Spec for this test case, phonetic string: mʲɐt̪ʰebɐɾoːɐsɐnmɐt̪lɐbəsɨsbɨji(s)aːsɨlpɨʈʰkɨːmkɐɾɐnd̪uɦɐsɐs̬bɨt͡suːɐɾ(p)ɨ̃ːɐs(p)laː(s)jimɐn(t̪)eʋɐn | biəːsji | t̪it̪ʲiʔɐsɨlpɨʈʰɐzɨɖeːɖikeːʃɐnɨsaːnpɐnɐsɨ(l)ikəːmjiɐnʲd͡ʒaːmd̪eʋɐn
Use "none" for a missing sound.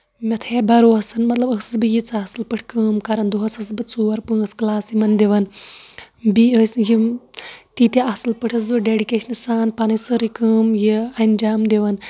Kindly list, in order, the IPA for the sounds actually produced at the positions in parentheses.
t͡s, p, k, s, d̪, ɾ

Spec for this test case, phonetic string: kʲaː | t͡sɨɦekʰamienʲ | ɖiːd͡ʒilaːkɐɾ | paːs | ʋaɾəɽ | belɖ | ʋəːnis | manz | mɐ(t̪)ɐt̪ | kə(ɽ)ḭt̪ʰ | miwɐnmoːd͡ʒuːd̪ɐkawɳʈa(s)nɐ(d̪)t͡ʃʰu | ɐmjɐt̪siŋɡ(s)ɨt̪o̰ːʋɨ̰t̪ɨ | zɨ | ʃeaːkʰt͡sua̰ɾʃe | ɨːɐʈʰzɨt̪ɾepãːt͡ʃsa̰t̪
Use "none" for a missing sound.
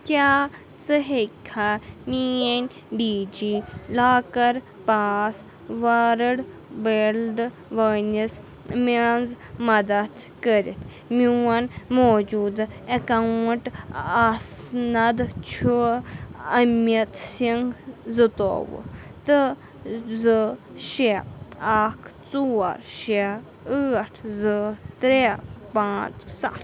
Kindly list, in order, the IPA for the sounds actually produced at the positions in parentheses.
d̪, ɾ, s, d̪, z

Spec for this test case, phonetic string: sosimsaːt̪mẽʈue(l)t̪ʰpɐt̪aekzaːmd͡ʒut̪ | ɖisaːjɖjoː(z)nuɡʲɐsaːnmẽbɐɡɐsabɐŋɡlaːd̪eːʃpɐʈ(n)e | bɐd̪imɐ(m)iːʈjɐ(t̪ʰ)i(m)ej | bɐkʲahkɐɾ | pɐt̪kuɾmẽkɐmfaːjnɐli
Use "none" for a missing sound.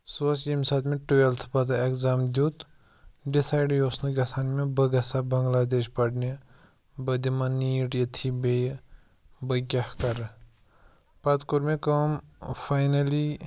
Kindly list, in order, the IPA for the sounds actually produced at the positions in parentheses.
l, s, n, n, t̪ʰ, b

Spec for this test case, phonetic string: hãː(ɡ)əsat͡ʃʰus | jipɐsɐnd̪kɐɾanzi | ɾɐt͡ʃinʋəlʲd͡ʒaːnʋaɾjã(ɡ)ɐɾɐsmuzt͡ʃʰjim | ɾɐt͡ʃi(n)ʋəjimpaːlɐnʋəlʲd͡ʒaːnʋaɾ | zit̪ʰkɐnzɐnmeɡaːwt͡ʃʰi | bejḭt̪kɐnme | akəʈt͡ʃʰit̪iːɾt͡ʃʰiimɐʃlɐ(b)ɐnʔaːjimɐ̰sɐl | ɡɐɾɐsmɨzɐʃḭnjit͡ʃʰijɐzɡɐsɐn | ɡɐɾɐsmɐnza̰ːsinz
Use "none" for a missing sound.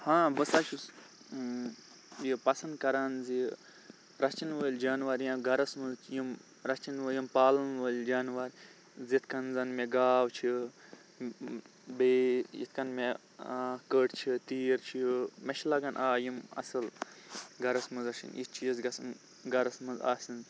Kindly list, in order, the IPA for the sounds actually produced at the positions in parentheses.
b, ɡ, n, ɡ

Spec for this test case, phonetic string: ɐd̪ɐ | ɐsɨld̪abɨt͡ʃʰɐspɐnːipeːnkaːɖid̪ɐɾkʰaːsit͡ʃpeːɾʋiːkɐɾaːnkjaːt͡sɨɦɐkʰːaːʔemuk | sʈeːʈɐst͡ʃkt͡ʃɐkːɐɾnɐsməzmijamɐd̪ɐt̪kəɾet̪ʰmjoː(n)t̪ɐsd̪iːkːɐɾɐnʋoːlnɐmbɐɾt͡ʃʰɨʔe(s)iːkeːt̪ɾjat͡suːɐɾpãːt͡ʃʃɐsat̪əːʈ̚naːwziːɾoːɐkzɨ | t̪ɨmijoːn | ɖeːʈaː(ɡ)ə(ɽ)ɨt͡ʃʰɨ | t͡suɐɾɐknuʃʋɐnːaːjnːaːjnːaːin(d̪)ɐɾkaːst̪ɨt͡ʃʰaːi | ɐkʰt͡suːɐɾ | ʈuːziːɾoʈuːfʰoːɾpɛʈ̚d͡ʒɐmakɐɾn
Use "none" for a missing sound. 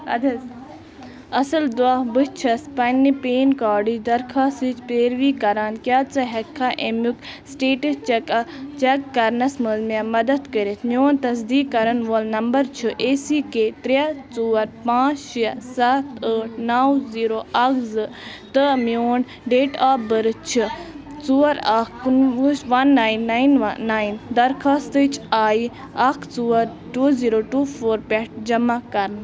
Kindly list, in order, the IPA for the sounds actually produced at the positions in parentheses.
n, s, b, ɾ, d̪

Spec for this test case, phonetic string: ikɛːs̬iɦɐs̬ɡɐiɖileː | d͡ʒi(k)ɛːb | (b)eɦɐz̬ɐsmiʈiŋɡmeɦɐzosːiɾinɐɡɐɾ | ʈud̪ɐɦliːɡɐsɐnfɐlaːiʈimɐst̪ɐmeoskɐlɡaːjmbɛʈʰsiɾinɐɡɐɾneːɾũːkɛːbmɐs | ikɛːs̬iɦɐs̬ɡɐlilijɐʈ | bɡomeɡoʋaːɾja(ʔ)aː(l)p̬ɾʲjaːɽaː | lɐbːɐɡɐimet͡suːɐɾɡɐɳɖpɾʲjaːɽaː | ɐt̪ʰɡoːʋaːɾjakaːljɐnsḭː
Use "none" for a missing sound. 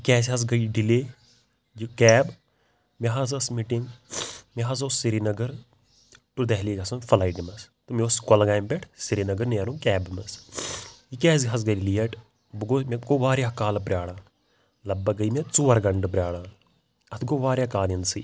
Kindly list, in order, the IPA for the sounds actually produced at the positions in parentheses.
k, m, k, l

